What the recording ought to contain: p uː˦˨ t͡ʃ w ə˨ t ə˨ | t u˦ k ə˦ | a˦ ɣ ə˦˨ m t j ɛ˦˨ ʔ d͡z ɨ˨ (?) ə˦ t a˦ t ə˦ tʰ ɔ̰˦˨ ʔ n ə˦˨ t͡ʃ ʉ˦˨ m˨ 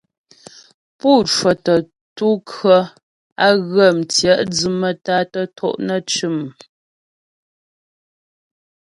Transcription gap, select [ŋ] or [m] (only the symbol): m